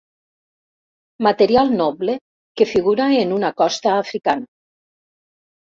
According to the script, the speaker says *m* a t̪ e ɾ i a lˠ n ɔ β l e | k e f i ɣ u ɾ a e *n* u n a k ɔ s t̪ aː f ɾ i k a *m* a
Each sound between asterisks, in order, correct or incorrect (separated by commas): correct, correct, incorrect